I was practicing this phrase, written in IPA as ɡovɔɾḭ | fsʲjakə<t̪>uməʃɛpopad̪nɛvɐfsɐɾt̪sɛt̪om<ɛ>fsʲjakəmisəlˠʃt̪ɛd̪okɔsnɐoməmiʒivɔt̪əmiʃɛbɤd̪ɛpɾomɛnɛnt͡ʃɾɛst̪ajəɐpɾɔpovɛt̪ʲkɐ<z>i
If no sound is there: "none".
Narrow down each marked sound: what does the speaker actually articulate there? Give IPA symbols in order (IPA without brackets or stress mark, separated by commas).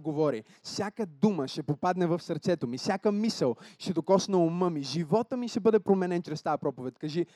d̪, i, ʒ